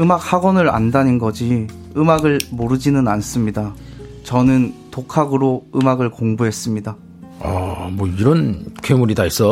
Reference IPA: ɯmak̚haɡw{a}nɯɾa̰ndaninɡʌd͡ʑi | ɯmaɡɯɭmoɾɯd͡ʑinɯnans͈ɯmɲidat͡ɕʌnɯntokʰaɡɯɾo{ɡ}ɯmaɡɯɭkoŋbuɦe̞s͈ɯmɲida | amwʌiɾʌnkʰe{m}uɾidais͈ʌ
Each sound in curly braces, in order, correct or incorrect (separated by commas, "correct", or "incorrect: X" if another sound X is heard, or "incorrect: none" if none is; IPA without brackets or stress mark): incorrect: ʌ, incorrect: none, correct